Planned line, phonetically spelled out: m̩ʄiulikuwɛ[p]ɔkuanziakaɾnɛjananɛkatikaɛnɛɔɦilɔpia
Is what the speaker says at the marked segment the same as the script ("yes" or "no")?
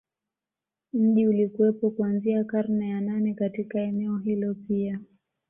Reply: yes